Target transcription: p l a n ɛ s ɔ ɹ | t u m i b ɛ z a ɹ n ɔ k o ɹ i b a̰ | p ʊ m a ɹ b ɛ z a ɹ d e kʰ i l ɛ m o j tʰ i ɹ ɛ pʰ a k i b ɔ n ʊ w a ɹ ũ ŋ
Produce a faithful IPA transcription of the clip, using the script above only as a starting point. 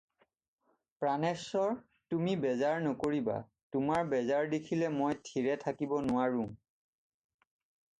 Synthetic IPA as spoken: p ɹ a n ɛ s ɔ ɹ | t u m i b ɛ z a ɹ n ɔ k o ɹ i b a̰ | t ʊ m a ɹ b ɛ z a ɹ d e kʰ i l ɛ m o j tʰ i ɹ ɛ tʰ a k i b ɔ n ʊ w a ɹ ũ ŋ